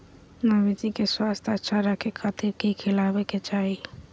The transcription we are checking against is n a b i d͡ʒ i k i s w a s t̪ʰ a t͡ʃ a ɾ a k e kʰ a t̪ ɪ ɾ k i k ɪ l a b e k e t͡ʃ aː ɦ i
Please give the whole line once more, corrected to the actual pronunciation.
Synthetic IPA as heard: n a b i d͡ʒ i k e s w a s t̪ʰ a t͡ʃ a ɾ a k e kʰ a t̪ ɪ ɾ k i kʰ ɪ l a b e k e t͡ʃ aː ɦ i

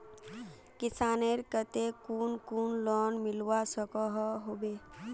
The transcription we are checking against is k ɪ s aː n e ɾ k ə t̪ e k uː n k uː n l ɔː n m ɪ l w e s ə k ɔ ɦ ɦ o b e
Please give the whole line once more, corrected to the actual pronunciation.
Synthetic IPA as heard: k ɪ s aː n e ɾ k ə t̪ e k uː n k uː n l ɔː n m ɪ l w a s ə k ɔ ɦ ɦ o b e

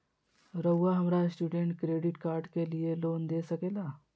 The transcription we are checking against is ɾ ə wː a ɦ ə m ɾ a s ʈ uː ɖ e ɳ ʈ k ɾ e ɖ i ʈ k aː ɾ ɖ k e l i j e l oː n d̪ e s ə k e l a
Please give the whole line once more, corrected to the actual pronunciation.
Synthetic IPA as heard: ɾ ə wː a ɦ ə m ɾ a s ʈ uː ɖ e ɳ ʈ k ɾ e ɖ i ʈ k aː ɾ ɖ k e l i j e l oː n d̪ e s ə k e l a

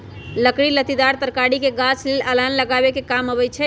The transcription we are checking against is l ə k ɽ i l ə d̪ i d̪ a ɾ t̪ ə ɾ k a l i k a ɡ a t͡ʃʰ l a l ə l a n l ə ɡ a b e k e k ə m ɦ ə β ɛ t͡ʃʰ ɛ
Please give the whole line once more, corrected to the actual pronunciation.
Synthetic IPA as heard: l ə k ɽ i l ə t̪ i d̪ a ɾ t̪ ə ɾ k a ɽ i k e ɡ a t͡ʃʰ l e l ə l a n l ə ɡ a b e k e k a m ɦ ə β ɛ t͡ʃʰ ɛ

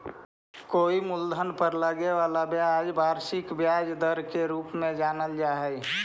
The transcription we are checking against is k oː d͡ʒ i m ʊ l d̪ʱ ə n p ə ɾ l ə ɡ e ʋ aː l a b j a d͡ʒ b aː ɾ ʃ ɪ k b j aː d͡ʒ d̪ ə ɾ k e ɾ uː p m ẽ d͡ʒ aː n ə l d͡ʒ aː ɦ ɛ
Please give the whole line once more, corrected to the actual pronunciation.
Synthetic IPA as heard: k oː i m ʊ l d̪ʱ ə n p ə ɾ l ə ɡ e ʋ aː l a b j a d͡ʒ b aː ɾ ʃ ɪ k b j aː d͡ʒ d̪ ə ɾ k e ɾ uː p m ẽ d͡ʒ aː n ə l d͡ʒ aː ɦ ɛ

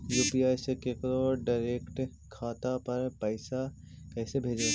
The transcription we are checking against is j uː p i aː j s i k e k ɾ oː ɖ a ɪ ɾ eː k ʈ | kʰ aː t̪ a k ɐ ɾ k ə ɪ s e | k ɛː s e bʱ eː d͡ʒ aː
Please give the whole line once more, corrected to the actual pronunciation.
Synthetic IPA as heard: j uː p i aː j s e k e k ɾ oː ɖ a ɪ ɾ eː k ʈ | kʰ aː t̪ a p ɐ ɾ p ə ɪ s a | k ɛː s e bʱ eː d͡ʒ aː

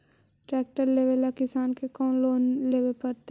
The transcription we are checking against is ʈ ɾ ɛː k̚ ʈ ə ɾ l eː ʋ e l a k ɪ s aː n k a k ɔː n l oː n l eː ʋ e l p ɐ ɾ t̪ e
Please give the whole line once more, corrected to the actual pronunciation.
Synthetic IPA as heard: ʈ ɾ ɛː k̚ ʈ ə ɾ l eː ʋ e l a k ɪ s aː n k e k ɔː n l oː n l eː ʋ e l p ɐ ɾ t̪ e

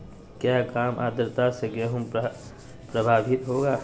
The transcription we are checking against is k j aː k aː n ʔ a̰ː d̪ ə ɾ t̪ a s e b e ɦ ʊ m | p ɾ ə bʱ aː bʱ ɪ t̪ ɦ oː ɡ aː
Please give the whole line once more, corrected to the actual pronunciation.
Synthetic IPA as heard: k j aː k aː m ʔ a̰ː d̪ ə ɾ t̪ a s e ɡ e ɦ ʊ m | p ɾ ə bʱ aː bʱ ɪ t̪ ɦ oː ɡ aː

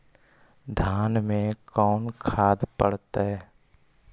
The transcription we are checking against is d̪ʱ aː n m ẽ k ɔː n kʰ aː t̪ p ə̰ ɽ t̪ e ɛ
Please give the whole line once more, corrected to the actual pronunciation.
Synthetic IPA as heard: d̪ʱ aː n m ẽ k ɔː n kʰ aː d̪ p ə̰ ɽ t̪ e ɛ

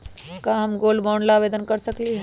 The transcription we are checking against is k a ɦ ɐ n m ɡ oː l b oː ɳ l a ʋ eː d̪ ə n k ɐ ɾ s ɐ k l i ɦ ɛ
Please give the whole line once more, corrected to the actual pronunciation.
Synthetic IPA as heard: k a ɦ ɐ m ɡ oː l b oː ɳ l a ʋ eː d̪ ə n k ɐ ɾ s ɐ k l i ɦ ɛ

